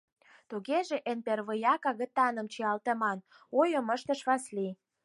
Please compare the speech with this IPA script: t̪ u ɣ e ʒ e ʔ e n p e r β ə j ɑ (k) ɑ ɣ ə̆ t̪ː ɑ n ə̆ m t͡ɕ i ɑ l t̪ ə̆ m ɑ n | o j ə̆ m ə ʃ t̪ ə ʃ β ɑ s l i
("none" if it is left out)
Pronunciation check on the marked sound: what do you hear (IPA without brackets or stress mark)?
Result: k